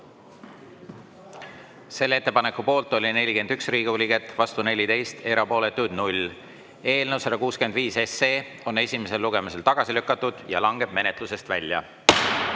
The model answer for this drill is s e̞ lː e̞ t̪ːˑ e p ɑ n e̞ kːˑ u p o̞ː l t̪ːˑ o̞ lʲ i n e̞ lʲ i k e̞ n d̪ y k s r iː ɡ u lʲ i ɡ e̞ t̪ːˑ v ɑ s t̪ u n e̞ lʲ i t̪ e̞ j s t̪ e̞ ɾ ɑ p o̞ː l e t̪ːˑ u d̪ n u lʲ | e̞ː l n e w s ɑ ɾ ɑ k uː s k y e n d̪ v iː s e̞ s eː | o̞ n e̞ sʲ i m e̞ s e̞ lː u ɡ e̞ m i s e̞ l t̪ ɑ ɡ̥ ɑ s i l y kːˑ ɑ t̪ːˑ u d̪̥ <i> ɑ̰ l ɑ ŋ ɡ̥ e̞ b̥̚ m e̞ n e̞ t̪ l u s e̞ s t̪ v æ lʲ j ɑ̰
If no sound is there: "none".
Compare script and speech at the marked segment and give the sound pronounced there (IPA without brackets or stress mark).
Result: j